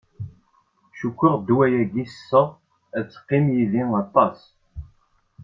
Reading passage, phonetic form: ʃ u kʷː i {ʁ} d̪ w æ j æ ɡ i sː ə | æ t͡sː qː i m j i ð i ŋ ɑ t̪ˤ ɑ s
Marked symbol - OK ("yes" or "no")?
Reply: yes